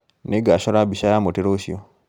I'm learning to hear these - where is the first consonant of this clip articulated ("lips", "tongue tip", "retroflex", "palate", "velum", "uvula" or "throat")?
tongue tip